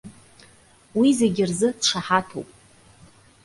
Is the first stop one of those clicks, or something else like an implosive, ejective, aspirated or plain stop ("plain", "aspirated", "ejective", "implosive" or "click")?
plain